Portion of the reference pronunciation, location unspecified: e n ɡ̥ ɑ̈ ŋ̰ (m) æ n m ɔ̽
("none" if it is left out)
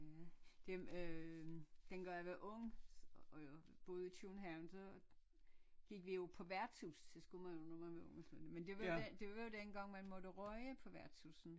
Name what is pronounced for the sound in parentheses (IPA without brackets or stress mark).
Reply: m